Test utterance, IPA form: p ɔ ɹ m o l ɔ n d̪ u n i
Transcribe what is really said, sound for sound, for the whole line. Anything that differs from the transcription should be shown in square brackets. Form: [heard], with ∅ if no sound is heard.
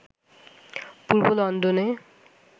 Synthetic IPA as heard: p [u] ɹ [b] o l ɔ n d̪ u n [e]